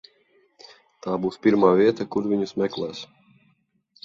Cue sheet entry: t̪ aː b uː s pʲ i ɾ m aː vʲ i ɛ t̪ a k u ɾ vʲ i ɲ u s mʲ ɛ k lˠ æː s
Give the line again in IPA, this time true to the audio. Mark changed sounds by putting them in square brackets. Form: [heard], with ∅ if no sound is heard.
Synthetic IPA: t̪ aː b uː s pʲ i ɾ m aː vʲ i ɛ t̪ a k u ɾ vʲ i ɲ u s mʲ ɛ k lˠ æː s